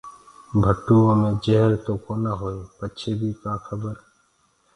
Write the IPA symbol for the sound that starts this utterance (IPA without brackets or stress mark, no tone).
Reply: bʱ